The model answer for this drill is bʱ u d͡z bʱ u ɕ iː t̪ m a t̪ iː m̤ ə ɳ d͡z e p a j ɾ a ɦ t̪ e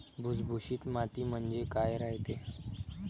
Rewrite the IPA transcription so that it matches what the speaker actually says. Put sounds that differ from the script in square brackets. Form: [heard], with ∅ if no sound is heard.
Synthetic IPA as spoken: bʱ u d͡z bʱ u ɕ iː t̪ m a t̪ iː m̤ ə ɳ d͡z e [k] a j ɾ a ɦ t̪ e